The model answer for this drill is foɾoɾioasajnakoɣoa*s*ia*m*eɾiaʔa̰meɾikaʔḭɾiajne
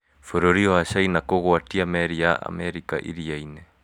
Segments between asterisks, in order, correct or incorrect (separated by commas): incorrect, correct